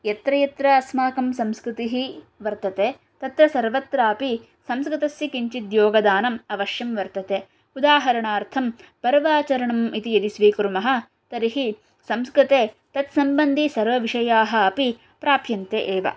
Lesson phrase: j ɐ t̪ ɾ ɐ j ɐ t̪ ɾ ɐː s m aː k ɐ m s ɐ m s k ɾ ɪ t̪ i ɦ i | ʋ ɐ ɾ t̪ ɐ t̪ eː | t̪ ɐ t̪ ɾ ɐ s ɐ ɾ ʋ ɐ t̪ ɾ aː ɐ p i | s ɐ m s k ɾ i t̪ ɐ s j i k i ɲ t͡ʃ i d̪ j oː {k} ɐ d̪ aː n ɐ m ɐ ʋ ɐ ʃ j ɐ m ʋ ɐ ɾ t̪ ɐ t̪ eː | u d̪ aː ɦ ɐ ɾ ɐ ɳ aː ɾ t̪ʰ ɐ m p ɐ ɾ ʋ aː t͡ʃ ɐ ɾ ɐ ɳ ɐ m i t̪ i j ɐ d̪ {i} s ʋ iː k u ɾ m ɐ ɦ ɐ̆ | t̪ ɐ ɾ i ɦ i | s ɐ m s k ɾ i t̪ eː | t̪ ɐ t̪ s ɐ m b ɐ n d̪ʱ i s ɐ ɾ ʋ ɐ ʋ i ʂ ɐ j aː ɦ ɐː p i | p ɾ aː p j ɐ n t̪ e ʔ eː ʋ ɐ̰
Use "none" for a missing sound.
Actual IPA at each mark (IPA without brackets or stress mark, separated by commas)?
ɡ, i